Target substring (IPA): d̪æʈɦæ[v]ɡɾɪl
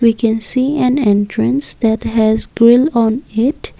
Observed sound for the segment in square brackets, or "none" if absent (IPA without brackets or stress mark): z